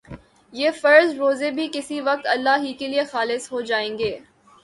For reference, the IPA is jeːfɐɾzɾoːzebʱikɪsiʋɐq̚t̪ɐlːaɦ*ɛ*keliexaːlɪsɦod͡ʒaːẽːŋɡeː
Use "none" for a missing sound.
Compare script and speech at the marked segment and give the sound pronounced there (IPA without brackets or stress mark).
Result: i